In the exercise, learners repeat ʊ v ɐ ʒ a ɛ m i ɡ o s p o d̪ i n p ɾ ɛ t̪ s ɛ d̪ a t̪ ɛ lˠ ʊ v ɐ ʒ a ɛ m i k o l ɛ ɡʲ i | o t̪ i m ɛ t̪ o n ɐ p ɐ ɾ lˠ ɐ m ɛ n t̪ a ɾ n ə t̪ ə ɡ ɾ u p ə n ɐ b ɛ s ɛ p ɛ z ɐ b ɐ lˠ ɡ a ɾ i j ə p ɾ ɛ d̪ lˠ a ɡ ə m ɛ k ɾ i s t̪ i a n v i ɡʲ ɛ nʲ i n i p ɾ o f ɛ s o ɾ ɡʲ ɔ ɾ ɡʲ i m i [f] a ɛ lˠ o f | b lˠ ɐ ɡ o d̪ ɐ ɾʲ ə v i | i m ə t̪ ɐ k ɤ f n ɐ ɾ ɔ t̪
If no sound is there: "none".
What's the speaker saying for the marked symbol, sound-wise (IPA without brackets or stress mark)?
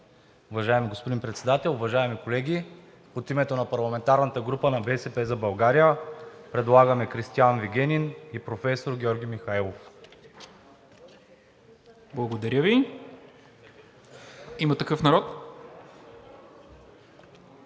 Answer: x